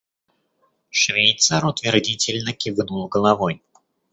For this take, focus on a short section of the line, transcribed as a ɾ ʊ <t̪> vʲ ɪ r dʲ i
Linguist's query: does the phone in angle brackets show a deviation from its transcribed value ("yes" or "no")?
no